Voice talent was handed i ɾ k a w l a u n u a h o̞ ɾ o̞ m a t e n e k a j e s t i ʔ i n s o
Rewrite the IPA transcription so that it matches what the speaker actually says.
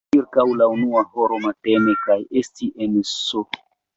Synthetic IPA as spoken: i ɾ k a w l a u n u a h o̞ ɾ o̞ m a t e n e k a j e s t i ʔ e n s o